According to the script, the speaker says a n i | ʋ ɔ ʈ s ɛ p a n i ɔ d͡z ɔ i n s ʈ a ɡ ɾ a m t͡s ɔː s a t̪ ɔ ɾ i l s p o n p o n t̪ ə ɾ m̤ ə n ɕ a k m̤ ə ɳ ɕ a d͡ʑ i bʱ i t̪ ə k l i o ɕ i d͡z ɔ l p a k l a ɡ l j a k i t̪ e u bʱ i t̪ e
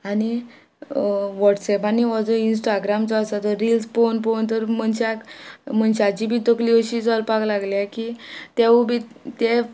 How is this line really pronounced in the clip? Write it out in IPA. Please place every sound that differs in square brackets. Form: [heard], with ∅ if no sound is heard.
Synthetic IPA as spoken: a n i | ʋ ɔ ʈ s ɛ p a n i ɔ d͡z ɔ i n s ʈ a ɡ ɾ a m t͡s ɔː s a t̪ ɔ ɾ i l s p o n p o n t̪ ə ɾ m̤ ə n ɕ a k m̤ ə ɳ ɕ a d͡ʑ i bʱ i t̪ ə k l i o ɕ i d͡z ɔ l p a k l a ɡ l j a k i t̪ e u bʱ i t̪ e